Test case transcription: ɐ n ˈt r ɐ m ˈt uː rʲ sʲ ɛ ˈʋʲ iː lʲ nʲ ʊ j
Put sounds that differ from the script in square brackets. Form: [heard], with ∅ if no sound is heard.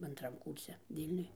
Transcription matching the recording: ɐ n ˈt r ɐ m [ˈk] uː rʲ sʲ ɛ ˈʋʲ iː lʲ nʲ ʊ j